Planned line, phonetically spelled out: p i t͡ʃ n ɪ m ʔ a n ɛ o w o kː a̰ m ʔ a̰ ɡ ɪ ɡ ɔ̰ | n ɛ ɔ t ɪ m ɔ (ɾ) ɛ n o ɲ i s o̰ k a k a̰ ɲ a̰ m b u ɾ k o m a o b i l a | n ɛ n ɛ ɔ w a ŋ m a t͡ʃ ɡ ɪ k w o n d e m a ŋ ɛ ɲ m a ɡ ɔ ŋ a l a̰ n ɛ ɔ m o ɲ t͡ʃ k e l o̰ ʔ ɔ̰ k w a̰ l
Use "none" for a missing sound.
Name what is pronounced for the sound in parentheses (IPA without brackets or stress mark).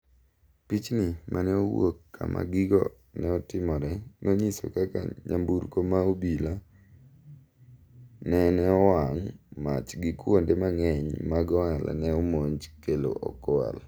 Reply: ɾ